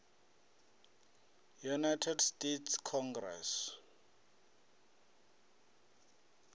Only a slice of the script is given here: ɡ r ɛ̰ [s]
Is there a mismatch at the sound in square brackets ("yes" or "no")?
no